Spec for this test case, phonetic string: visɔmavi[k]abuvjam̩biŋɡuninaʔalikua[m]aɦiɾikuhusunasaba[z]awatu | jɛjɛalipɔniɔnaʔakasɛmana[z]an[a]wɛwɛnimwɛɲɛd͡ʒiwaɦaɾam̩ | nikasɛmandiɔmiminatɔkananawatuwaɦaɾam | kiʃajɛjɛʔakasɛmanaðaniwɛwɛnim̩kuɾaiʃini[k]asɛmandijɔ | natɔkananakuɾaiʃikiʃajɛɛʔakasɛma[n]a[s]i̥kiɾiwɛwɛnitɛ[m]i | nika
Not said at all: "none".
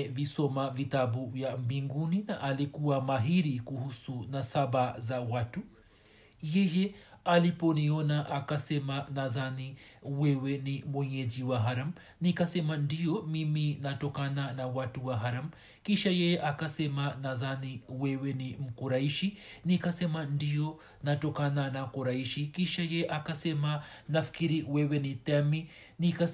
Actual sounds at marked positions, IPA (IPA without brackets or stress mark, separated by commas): t, m, z, ð, i, k, n, f, m